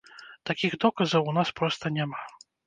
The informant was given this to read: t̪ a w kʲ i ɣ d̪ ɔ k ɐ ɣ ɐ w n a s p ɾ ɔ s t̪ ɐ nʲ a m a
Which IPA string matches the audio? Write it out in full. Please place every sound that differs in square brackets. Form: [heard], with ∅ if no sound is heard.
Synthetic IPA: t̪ a [∅] kʲ i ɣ d̪ ɔ k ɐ [z] ɐ w n a s p ɾ ɔ s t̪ ɐ nʲ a m a